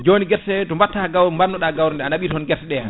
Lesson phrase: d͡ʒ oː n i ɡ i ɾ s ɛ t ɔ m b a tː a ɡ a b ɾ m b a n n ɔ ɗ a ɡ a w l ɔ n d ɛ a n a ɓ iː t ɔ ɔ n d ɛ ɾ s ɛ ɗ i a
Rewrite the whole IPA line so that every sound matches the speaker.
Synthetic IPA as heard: d͡ʒ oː n i ɡ ɛ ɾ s ɛ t ɔ m b a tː a ɡ a w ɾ m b a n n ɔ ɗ a ɡ a w ɾ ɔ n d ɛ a n a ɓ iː t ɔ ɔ n ɡ ɛ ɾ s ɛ ɗ ɛ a